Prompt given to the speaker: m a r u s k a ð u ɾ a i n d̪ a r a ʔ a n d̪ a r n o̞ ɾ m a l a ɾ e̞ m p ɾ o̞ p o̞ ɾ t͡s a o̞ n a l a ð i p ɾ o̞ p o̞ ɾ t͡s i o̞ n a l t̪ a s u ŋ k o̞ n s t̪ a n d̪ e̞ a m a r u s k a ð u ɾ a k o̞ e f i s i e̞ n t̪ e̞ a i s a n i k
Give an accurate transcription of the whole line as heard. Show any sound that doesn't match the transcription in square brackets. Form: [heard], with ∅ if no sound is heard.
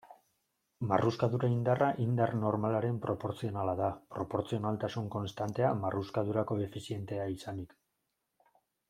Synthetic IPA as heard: m a r u s k a ð u ɾ a i n d̪ a r a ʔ [i] n d̪ a r n o̞ ɾ m a l a ɾ e̞ m p ɾ o̞ p o̞ ɾ t͡s [i] o̞ n a l a ð [a] p ɾ o̞ p o̞ ɾ t͡s i o̞ n a l t̪ a s u ŋ k o̞ n s t̪ a n [t̪] e̞ a m a r u s k a ð u ɾ a k o̞ e f i s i e̞ n t̪ e̞ a i s a n i k